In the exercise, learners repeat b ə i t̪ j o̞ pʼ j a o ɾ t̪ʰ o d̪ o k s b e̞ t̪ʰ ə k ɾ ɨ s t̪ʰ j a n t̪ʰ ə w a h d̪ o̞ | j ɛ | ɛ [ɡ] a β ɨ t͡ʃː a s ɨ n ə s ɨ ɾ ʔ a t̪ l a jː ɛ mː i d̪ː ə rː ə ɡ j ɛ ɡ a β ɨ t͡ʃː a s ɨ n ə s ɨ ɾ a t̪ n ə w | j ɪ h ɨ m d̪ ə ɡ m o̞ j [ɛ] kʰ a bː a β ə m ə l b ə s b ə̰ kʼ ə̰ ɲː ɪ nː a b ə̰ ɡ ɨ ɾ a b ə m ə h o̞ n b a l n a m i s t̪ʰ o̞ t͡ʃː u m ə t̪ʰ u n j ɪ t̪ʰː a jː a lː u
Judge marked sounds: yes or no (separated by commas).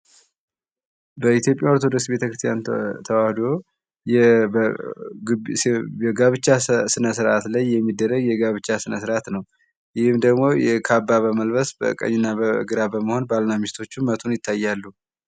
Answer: yes, yes